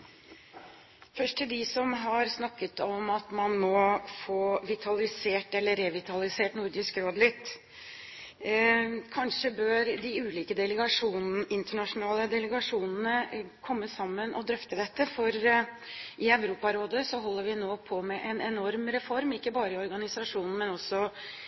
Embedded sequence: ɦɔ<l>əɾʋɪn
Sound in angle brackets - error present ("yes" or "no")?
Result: yes